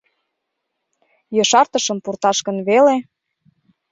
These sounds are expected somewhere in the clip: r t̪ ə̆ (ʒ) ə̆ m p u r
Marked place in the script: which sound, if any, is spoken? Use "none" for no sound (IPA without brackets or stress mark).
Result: ʃ